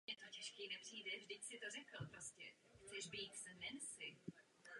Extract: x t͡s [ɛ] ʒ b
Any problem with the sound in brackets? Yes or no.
no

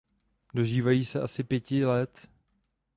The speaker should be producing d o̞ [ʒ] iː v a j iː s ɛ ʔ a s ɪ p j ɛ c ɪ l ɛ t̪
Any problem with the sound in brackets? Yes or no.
no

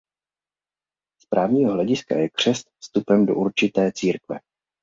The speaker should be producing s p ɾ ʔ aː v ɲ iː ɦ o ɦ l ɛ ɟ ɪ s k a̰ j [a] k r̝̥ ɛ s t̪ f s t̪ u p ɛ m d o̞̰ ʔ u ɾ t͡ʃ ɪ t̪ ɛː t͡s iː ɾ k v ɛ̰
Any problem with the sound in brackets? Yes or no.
yes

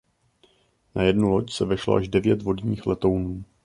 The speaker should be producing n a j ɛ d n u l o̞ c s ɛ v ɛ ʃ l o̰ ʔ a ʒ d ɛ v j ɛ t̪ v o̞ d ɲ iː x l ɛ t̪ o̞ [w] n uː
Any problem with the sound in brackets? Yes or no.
no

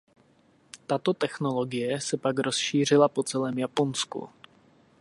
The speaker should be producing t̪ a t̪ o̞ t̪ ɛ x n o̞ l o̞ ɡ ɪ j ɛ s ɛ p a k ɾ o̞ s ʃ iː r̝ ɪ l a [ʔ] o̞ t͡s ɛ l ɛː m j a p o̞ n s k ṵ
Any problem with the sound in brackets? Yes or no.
yes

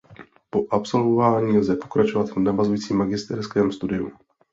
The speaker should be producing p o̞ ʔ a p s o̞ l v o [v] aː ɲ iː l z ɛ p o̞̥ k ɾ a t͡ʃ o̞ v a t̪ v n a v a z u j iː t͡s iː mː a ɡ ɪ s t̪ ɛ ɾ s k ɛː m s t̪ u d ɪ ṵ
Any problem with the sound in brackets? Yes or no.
no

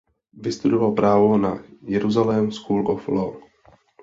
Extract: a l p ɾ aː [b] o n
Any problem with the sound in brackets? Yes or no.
yes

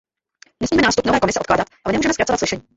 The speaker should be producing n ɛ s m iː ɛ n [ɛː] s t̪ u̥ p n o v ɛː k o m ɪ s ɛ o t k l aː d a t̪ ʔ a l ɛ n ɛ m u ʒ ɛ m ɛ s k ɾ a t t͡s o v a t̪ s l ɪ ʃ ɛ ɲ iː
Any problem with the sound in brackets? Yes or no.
yes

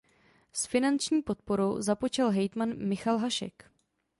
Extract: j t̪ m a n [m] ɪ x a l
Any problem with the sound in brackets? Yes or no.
no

